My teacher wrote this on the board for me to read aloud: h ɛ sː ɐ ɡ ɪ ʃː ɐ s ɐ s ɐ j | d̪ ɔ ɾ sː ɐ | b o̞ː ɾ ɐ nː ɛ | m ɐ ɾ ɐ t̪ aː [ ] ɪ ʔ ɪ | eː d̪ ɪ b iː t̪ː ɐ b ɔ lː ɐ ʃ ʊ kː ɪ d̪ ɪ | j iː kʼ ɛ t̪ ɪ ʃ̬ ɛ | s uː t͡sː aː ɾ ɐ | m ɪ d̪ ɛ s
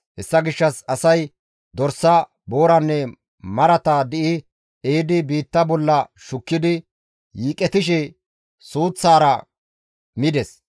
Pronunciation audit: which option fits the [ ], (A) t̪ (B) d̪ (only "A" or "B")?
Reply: B